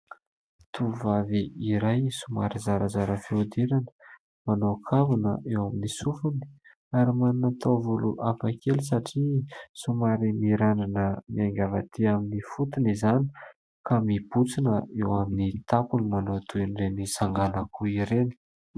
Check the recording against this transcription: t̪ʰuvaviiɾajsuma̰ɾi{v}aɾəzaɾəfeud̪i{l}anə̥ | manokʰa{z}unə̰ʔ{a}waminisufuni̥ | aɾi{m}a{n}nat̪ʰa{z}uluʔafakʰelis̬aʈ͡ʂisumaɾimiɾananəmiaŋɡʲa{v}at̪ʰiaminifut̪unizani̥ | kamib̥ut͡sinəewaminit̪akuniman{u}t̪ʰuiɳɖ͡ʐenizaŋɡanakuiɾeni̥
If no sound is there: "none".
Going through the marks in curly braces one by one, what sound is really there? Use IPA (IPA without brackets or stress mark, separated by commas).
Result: z, ɾ, v, e, m, n, v, v, o